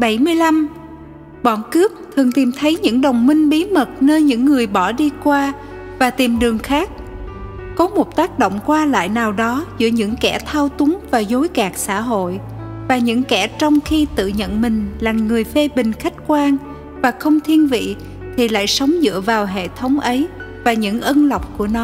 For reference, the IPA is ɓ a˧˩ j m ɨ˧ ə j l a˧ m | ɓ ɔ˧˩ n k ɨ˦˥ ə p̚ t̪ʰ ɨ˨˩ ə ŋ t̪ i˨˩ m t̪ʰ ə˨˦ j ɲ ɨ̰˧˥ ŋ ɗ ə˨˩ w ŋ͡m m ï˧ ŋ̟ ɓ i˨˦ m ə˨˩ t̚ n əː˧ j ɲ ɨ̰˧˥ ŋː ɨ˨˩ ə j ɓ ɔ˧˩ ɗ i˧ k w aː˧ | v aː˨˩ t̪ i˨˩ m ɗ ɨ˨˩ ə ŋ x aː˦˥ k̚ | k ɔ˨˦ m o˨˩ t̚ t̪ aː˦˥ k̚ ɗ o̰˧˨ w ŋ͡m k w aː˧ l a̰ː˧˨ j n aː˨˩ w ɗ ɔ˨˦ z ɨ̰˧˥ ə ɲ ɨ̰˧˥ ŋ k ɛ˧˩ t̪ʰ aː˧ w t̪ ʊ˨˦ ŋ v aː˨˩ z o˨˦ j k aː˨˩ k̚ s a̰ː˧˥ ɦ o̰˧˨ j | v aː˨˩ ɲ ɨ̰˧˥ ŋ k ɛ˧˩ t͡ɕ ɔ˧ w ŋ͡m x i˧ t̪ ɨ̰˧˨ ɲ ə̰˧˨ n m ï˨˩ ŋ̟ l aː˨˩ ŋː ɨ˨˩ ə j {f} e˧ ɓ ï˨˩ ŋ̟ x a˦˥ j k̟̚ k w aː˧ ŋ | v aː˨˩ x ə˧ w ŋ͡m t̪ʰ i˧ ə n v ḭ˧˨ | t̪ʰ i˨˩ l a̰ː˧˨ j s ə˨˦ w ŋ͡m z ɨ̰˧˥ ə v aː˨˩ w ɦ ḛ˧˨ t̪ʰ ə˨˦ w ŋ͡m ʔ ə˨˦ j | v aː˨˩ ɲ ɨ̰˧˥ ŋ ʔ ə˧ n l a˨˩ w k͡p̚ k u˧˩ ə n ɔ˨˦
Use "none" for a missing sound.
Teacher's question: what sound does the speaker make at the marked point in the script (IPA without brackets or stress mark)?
f